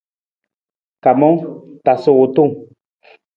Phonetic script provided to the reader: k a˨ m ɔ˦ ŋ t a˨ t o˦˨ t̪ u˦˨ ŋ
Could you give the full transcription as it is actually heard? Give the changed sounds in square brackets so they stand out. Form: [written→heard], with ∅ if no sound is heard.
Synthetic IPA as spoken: k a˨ m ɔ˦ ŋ t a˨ [t→s] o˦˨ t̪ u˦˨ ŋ